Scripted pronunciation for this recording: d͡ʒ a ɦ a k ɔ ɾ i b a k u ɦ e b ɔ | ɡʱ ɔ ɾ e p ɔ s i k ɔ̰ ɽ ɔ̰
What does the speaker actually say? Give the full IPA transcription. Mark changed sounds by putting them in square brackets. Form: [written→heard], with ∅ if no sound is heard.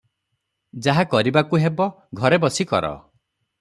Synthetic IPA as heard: d͡ʒ a ɦ a k ɔ ɾ i b a k u ɦ e b ɔ | ɡʱ ɔ ɾ e [p→b] ɔ s i k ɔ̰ [ɽ→ɾ] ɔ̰